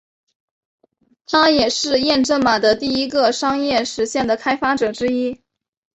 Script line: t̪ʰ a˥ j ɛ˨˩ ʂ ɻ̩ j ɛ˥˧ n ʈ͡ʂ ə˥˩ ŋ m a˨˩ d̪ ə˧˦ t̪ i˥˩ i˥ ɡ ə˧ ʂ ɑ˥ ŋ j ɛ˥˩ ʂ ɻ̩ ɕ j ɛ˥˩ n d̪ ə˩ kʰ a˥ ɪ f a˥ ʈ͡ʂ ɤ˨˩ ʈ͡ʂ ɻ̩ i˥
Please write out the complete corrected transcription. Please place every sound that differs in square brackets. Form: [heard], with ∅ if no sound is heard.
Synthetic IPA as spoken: t̪ʰ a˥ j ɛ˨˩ ʂ ɻ̩ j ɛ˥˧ n ʈ͡ʂ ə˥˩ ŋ m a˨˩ d̪ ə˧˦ t̪ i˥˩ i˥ ɡ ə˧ ʂ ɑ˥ ŋ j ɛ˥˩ ʂ ɻ̩ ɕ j ɛ˥˩ n d̪ ə˩ kʰ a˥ ɪ f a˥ ʈ͡ʂ ɤ˨˩ ʈ͡ʂ ɻ̩ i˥